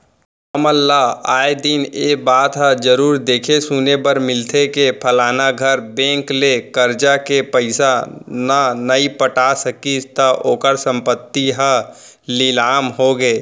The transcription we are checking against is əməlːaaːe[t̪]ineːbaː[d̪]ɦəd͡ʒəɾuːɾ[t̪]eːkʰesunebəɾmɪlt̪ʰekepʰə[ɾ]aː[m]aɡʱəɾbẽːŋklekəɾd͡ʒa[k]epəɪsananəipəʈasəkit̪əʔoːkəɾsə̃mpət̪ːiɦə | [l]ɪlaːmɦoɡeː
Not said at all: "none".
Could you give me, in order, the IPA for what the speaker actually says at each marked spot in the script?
d̪, t̪, d̪, l, n, k, l

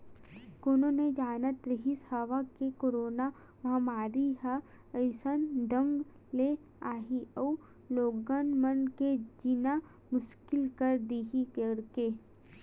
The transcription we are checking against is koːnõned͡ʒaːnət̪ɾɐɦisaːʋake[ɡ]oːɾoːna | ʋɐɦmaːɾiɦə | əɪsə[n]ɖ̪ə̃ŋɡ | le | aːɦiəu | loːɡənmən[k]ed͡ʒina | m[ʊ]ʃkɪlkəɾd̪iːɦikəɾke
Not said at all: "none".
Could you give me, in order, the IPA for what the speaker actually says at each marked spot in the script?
k, n, k, ʊ

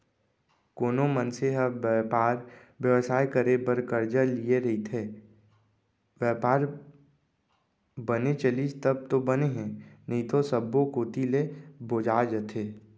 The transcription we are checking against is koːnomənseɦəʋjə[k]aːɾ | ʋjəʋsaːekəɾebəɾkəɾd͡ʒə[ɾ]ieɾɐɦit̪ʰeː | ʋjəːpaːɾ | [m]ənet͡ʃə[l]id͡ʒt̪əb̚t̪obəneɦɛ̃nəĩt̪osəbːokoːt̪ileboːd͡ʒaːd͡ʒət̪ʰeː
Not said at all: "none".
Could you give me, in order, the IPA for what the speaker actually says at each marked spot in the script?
p, l, b, l

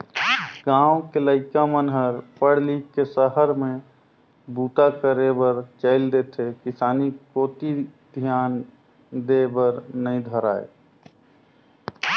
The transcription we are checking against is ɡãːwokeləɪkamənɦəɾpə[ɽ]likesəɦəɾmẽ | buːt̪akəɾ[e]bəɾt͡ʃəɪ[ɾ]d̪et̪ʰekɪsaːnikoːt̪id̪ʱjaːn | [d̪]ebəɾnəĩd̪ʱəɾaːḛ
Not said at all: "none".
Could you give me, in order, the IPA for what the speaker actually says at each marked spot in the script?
ɽ, e, l, d̪

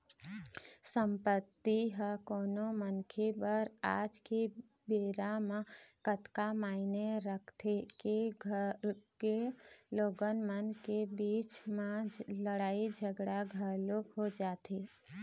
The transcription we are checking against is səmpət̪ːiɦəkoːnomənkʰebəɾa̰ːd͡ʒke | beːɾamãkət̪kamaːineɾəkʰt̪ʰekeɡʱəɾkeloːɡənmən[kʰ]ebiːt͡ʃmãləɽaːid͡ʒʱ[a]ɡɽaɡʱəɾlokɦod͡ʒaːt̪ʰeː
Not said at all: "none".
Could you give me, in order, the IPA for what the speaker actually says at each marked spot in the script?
k, ə

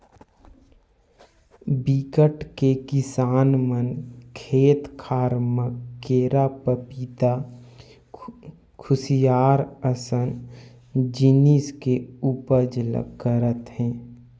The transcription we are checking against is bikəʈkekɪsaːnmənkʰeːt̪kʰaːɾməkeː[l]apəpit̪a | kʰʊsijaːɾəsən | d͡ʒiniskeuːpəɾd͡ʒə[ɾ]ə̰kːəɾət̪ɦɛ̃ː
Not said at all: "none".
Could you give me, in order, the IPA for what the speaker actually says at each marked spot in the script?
ɾ, l

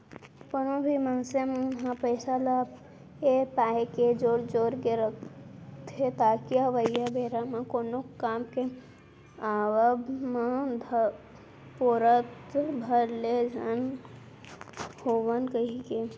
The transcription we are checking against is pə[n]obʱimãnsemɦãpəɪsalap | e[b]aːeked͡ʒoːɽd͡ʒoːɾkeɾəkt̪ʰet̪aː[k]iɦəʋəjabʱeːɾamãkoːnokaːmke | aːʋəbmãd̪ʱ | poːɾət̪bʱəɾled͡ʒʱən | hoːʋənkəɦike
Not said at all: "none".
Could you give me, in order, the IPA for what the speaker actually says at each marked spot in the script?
n, p, k

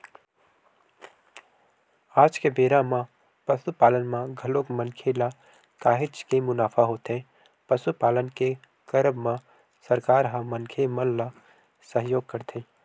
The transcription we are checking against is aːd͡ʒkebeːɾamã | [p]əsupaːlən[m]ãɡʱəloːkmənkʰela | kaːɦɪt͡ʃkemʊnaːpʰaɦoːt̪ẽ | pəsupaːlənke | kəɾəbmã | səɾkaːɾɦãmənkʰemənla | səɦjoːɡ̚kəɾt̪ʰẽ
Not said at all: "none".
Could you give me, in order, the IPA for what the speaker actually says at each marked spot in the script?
p, m

